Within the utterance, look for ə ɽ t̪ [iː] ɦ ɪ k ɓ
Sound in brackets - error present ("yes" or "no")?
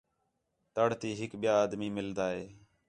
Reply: no